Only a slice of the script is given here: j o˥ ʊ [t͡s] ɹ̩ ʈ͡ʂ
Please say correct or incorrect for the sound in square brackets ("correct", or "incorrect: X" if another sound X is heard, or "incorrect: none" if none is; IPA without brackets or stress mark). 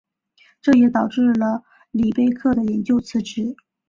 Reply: incorrect: t͡sʰ